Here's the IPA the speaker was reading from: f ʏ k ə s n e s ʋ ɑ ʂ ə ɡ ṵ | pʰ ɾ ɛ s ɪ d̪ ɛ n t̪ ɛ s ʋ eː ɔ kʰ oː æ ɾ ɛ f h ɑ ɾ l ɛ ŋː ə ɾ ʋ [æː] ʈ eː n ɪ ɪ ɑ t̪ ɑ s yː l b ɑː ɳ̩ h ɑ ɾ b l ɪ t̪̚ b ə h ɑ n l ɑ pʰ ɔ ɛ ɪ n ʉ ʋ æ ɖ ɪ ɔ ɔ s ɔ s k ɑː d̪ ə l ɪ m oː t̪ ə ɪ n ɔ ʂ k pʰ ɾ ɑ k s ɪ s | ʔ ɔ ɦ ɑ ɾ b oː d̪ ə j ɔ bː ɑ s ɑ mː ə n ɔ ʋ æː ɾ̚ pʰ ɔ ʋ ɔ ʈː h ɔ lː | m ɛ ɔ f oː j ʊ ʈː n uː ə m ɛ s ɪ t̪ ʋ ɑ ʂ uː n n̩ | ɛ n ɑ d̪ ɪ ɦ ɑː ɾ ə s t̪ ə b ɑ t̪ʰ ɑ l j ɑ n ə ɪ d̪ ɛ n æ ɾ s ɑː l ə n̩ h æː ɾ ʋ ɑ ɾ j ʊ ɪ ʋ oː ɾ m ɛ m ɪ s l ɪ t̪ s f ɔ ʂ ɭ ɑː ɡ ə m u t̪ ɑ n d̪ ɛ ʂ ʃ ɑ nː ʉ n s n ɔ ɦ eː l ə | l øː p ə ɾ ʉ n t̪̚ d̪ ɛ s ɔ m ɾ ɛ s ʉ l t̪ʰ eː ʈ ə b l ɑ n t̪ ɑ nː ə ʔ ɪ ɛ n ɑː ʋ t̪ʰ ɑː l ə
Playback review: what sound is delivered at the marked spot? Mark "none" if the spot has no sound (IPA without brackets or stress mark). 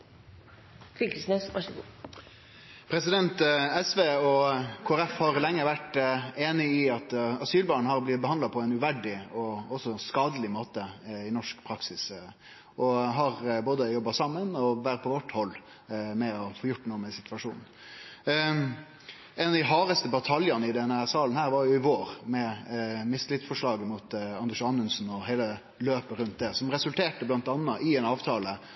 æ